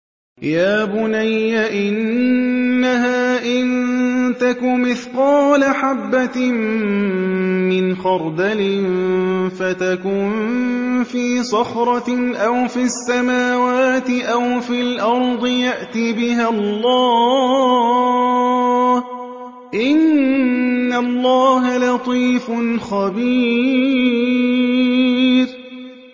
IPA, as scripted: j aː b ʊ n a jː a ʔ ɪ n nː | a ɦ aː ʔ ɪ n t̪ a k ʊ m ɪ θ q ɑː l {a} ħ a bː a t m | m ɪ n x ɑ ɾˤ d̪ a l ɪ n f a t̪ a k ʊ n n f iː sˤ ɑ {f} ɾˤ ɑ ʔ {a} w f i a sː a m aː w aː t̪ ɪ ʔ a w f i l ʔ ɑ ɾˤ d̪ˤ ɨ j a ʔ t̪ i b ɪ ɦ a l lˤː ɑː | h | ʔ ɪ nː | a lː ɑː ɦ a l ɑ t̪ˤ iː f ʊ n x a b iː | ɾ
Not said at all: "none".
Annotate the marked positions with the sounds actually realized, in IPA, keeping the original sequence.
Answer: a, x, a

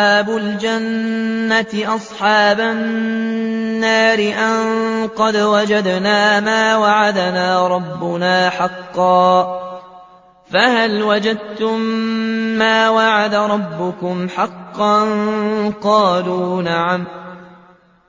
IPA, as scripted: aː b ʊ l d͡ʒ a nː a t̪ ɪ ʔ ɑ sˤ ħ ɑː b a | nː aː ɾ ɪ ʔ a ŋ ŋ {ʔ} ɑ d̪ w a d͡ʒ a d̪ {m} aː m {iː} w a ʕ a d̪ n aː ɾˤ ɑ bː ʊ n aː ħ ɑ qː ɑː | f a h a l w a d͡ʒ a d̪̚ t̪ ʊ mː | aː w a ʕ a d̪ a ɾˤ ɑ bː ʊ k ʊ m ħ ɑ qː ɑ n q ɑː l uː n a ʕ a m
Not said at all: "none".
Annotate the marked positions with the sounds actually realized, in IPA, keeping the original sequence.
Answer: q, n, aː

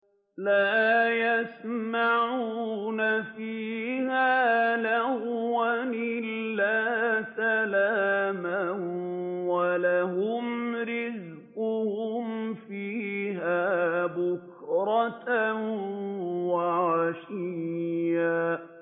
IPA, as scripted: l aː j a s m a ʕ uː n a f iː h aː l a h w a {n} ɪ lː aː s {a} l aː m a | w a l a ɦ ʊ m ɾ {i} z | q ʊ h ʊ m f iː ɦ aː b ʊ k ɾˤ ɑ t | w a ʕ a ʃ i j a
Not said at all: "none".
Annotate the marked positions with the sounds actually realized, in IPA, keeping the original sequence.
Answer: n, a, ɪ

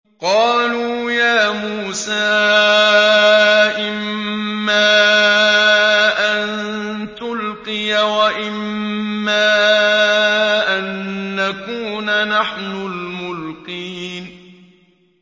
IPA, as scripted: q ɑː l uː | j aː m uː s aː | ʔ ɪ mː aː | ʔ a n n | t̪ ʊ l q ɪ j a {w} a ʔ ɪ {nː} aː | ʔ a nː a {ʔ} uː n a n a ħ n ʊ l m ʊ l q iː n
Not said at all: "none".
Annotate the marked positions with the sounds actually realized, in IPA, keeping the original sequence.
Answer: w, mː, k

